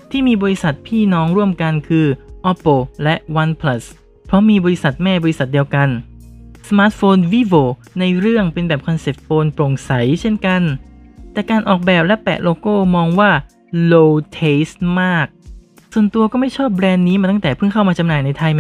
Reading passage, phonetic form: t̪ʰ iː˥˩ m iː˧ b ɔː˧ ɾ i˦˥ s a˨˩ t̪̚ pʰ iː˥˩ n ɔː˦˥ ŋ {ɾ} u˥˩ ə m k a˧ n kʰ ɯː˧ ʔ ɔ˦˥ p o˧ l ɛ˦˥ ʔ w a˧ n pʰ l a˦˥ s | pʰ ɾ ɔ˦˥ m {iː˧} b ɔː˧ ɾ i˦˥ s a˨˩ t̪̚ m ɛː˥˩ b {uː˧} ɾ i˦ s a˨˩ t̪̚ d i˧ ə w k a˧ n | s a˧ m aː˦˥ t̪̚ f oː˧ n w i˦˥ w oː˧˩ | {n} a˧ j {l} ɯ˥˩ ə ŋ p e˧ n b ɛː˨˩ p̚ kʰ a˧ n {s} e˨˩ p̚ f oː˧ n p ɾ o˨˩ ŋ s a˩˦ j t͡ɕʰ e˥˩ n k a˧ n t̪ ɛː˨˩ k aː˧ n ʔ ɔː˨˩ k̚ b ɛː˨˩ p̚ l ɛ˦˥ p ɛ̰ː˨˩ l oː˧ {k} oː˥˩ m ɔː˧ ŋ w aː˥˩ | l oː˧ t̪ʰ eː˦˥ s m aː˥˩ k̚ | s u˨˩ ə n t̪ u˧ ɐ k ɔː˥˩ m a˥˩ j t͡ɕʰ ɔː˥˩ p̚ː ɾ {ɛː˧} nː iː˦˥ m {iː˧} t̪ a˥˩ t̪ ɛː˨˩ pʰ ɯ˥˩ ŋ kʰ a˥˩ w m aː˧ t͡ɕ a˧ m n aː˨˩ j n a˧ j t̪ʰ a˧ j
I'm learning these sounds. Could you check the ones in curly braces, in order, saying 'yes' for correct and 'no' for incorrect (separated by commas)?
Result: yes, yes, no, yes, no, yes, yes, yes, no